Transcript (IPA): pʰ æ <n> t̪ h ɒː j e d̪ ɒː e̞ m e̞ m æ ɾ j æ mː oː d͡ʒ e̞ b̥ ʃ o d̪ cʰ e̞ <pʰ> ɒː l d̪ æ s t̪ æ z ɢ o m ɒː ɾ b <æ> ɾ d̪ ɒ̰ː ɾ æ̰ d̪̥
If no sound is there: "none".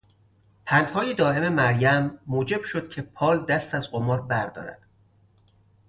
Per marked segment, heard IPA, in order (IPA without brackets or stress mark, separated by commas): n, pʰ, æ